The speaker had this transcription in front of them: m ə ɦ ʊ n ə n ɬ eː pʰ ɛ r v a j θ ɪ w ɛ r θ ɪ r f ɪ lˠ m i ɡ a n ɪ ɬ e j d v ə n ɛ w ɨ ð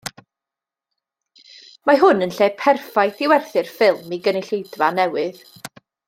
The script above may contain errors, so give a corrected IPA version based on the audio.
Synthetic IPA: m a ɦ ʊ n ə n ɬ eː pʰ ɛ r f a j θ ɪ w ɛ r θ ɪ r f ɪ lˠ m i ɡ ə n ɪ ɬ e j d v a n ɛ w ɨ ð